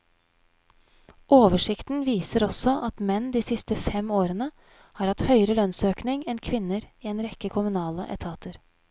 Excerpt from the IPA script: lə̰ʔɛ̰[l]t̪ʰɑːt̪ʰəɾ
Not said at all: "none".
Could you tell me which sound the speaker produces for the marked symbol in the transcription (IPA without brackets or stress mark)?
none